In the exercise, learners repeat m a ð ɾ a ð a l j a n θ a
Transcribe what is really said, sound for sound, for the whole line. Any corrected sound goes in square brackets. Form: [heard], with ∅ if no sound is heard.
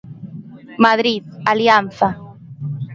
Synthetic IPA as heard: m a ð ɾ [i] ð a l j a n θ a